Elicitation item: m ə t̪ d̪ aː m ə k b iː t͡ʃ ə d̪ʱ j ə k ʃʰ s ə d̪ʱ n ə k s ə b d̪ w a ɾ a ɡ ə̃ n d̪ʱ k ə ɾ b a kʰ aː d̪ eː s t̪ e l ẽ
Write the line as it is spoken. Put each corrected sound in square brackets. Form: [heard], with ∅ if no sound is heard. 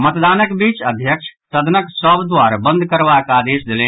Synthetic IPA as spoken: m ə t̪ d̪ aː [n] ə k b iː t͡ʃ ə d̪ʱ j ə k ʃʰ s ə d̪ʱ n ə k s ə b d̪ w a ɾ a [b] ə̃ n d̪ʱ k ə ɾ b a [k] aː d̪ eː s [d̪] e l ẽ

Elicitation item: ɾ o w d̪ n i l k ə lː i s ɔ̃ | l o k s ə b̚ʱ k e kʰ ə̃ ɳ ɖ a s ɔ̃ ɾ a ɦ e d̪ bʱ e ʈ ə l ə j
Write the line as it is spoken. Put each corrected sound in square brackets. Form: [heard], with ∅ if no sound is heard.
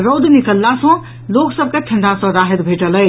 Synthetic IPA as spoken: ɾ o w d̪ n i [∅] k ə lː [a] s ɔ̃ | l o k s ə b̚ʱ k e [ʈʰ] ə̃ ɳ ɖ a s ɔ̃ ɾ a ɦ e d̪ bʱ e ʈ ə l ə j

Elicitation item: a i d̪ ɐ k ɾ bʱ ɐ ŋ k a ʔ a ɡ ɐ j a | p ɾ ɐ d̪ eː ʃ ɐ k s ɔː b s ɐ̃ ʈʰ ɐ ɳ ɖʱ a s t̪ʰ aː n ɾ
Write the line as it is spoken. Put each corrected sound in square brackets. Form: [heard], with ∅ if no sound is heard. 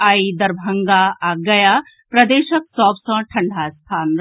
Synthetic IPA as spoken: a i d̪ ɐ [∅] ɾ bʱ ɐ ŋ [ɡ] a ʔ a ɡ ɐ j a | p ɾ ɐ d̪ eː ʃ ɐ k s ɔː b s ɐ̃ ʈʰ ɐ ɳ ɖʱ a s t̪ʰ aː n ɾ

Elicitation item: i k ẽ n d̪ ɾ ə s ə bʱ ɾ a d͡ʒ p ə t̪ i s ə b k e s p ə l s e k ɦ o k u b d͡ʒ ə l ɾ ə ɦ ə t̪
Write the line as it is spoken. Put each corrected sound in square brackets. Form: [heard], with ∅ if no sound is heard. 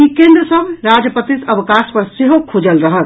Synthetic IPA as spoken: i k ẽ n d̪ ɾ ə s ə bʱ ɾ a d͡ʒ p ə t̪ i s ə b k [a] s p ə [ɾ] s e [∅] ɦ o [kʰ] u [∅] d͡ʒ ə l ɾ ə ɦ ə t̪

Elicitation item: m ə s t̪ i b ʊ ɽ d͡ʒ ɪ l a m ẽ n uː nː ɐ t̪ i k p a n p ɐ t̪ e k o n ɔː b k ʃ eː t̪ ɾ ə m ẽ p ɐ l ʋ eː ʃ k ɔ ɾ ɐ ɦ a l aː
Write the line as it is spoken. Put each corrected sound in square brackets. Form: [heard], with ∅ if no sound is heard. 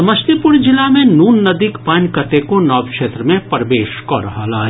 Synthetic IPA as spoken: m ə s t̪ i [p] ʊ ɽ d͡ʒ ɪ l a m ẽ n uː nː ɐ [d̪] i k p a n [k] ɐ t̪ e k o n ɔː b k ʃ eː t̪ ɾ ə m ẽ p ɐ [ɾ] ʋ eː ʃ k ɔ ɾ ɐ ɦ a l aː

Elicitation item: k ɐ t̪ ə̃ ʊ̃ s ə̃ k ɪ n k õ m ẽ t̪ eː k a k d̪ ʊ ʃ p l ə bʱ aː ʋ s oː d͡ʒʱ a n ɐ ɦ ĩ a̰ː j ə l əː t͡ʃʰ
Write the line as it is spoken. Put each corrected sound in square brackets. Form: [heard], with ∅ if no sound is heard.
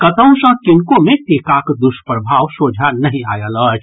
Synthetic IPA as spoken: k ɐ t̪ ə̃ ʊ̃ s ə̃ k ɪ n k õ m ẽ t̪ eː k a k d̪ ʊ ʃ p [ɾ] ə bʱ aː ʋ s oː d͡ʒʱ a n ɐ ɦ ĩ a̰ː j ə l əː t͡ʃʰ

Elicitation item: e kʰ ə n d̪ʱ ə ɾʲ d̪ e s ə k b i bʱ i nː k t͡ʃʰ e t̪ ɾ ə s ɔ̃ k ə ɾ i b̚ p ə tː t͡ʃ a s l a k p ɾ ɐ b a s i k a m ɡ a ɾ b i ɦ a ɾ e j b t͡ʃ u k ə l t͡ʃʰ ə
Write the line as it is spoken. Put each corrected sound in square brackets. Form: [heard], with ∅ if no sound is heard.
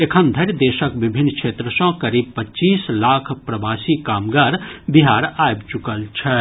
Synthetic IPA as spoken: e kʰ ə n d̪ʱ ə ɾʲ d̪ e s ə k b i bʱ i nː k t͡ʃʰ e t̪ ɾ ə s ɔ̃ k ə ɾ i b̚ p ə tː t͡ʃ [i] s l a [kʰ] p ɾ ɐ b a s i k a m ɡ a ɾ b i ɦ a ɾ [a] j b t͡ʃ u k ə l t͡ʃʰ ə

